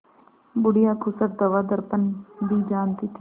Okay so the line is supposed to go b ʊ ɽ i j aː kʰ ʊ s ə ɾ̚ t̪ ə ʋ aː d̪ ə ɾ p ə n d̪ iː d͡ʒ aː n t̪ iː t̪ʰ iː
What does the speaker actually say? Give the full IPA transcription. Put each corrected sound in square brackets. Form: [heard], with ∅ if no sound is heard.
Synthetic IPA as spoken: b ʊ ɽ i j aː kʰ ʊ s ə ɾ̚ [d̪] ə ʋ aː d̪ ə ɾ p ə n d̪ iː d͡ʒ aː n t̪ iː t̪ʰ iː